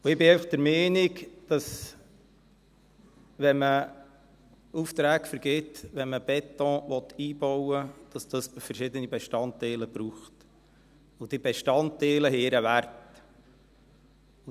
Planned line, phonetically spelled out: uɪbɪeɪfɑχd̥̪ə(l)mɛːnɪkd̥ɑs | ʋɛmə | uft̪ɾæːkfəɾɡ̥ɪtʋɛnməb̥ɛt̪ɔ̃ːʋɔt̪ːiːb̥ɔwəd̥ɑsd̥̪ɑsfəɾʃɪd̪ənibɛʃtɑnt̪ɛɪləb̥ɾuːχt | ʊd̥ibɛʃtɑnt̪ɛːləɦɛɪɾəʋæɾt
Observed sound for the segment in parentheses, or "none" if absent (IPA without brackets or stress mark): ɾ